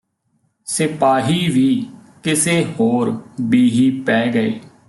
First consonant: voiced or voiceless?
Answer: voiceless